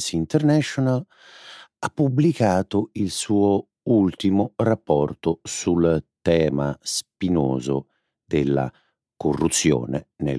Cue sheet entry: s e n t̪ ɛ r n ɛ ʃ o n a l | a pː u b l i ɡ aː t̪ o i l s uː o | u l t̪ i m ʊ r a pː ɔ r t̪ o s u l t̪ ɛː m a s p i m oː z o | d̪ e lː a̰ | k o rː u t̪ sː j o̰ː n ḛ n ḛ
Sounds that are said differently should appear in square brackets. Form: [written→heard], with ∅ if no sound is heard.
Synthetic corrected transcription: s [e→i] n t̪ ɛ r n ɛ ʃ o n a l | a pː u b l i [ɡ→k] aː t̪ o i l s uː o | u l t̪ i m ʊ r a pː ɔ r t̪ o s u l t̪ ɛː m a s p i [m→n] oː z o | d̪ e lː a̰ | k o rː u t̪ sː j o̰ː n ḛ n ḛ